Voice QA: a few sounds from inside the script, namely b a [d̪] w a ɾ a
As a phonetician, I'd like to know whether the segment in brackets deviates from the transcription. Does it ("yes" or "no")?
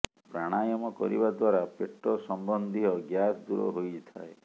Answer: no